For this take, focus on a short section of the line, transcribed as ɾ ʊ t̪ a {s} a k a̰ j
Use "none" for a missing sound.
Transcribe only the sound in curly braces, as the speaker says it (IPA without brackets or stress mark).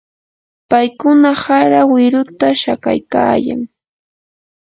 ʃ